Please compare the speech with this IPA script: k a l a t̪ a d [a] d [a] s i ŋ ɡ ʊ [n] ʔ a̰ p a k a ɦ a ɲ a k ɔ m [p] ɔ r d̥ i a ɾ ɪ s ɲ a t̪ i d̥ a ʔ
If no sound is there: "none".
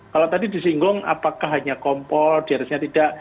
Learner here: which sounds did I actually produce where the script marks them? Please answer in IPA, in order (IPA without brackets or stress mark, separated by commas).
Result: i, i, ŋ, p